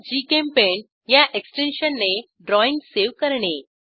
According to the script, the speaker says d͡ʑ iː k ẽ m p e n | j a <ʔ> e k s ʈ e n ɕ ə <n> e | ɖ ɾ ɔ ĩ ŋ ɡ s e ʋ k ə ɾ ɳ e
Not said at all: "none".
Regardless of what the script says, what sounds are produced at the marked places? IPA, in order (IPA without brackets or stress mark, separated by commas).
ʔ, nː